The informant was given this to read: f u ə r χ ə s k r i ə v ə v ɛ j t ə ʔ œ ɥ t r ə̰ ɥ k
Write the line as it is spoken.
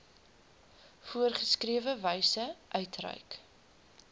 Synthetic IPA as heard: f u ə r χ ə s k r i ə v ə v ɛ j s ə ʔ œ ɥ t r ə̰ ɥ k